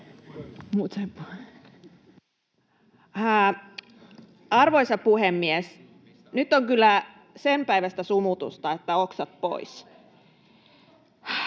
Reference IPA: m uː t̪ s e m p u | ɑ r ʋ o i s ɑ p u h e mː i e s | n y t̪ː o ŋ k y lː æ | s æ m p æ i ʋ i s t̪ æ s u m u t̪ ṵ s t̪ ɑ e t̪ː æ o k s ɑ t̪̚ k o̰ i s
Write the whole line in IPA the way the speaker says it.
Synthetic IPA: m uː t̪ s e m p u | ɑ r ʋ o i s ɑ p u h e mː i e s | n y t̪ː o ŋ k y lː æ | s e m p æ i ʋ æ s t̪ æ s u m u t̪ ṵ s t̪ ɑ e t̪ː æ o k s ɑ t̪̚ p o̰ i s

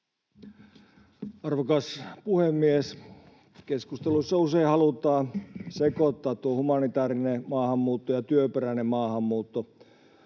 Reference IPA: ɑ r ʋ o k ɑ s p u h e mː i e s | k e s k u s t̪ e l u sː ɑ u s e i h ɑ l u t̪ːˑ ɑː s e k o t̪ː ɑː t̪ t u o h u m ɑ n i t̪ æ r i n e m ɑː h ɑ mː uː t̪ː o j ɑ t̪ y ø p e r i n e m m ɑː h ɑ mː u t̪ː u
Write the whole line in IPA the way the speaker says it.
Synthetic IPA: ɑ r ʋ o k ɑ s p u h e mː i e s | k e s k u s t̪ e l u sː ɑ u s e i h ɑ l u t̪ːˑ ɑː s e k o t̪ː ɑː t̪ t u o h u m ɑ n i t̪ æː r i n e m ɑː h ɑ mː uː t̪ː o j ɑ t̪ y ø p e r æ n e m m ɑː h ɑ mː uː t̪ː o

